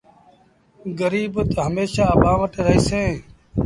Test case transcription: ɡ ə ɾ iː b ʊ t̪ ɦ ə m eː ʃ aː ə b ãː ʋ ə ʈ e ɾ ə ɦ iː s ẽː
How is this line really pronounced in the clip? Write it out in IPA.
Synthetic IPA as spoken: ɡ ə ɾ iː b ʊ t̪ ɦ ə m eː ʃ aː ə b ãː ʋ ə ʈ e ɾ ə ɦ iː s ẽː

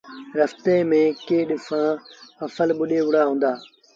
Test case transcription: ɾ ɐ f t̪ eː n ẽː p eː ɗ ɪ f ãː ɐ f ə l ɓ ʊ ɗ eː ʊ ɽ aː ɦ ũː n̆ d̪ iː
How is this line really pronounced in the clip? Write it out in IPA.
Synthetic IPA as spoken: ɾ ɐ f t̪ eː m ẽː k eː ɗ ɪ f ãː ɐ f ə l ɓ ʊ ɗ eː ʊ ɽ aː ɦ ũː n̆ d̪ aː

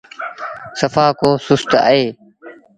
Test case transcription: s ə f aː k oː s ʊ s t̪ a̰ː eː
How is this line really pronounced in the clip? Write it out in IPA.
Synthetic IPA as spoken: s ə f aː k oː s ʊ s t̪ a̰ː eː

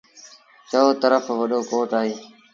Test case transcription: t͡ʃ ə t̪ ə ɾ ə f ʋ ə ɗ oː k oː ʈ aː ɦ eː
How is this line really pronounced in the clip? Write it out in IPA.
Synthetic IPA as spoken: t͡ʃ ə t̪ ə ɾ ə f ʋ ə ɗ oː k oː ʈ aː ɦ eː

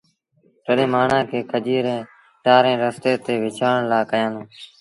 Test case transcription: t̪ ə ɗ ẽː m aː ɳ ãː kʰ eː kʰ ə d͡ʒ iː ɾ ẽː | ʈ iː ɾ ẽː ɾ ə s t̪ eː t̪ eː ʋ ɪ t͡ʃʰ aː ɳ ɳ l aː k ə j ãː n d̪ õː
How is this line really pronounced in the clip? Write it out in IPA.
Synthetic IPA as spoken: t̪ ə ɗ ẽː m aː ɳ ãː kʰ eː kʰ ə d͡ʒ iː ɾ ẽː | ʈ aː ɾ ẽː ɾ ə s t̪ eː t̪ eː ʋ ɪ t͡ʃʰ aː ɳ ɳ l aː k ə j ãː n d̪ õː

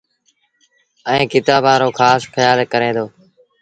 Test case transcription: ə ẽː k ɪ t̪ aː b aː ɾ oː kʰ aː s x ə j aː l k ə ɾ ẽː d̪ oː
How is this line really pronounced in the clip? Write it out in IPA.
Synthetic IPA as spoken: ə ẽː k ɪ t̪ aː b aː ɾ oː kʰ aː s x ə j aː l k ə ɾ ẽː d̪ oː

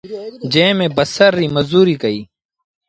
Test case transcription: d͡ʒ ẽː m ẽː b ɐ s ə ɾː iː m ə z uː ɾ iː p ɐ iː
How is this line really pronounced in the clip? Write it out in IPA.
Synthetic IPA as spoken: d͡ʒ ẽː m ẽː b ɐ s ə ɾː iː m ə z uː ɾ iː k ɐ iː

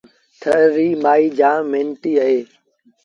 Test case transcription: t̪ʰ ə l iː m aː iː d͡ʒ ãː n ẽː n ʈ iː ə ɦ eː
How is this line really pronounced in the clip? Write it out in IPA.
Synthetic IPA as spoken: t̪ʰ ə ɾ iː m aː iː d͡ʒ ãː m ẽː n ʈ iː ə ɦ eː

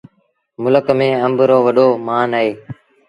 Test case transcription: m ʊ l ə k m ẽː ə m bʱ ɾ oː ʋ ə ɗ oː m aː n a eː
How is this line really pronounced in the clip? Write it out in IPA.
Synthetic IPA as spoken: m ʊ l ə k m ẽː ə m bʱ ɾ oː ʋ ə ɗ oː m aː n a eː

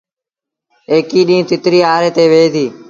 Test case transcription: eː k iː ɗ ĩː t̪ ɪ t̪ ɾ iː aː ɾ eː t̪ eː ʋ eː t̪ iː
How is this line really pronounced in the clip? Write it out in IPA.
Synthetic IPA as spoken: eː k iː ɗ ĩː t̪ ɪ t̪ ɾ iː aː ɾ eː t̪ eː ʋ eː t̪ iː

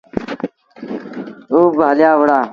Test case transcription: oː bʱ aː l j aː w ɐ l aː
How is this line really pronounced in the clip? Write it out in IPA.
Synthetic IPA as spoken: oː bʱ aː l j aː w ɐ ɽ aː

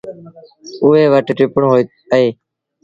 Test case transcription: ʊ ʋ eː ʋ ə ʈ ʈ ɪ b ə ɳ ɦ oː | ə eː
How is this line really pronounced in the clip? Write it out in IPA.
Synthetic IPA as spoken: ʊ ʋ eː ʋ ə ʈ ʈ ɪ p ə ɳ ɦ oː | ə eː

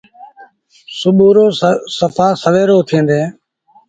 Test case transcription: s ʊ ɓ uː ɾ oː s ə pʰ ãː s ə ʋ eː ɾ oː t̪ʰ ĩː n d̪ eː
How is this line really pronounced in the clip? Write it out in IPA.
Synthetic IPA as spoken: s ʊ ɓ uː ɾ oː s ə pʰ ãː s ə ʋ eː ɾ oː t̪ʰ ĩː n d̪ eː

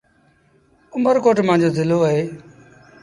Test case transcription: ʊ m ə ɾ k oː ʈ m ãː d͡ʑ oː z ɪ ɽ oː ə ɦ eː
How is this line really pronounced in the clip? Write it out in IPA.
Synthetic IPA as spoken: ʊ m ə ɾ k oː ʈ m ãː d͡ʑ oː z ɪ l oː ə ɦ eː

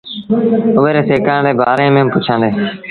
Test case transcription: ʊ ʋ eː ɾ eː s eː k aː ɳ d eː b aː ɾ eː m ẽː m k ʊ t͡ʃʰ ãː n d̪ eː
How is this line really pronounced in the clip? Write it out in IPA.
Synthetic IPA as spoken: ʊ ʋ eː ɾ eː s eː k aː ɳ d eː b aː ɾ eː m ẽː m p ʊ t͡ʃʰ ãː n d̪ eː

